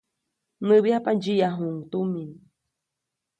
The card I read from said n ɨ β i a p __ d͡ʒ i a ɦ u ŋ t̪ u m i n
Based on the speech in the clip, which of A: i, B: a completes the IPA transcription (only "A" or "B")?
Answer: B